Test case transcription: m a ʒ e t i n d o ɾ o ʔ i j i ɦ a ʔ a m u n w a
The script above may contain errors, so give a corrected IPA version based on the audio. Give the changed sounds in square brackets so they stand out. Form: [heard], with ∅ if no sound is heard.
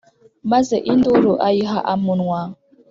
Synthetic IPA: m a [z] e [ʔ] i n d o ɾ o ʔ [a] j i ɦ a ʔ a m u n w a